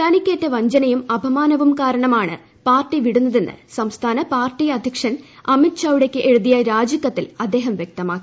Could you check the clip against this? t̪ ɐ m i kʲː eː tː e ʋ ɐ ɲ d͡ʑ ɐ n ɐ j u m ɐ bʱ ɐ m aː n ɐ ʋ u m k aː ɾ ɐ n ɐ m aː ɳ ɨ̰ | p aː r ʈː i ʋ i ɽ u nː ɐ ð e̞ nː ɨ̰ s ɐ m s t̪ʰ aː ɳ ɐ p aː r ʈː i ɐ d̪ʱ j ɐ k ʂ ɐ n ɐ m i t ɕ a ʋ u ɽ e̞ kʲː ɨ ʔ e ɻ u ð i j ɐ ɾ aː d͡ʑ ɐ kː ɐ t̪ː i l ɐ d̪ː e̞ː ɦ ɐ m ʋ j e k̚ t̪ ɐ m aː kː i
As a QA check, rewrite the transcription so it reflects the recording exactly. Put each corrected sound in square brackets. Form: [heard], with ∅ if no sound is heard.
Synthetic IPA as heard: t̪ ɐ [n] i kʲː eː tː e ʋ ɐ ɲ d͡ʑ ɐ n ɐ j u m ɐ bʱ ɐ m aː n ɐ ʋ u m k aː ɾ ɐ [ɳ] ɐ m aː ɳ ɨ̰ | p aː r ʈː i ʋ i ɽ u nː ɐ ð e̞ nː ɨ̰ s ɐ m s t̪ʰ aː [n] ɐ p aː r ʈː i ɐ d̪ʱ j ɐ k ʂ ɐ n ɐ m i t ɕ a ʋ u ɽ e̞ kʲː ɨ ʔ e ɻ u ð i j ɐ ɾ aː d͡ʑ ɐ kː ɐ t̪ː i l ɐ d̪ː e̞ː ɦ ɐ m ʋ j e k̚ t̪ ɐ m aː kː i